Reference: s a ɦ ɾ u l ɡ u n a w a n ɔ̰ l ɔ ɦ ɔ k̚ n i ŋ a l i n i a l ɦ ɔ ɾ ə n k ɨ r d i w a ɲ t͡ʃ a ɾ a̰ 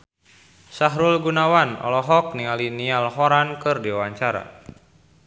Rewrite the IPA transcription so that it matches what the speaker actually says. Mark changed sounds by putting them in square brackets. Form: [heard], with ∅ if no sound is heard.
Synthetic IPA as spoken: s a ɦ ɾ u l ɡ u n a w a n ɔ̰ l ɔ ɦ ɔ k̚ n i ŋ a l i n i a l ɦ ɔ ɾ [a] n k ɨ r d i w a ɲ t͡ʃ a ɾ a̰